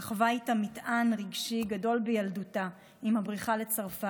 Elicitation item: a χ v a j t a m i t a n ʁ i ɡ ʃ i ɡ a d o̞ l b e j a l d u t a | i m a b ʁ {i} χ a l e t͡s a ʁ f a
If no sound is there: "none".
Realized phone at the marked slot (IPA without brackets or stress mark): i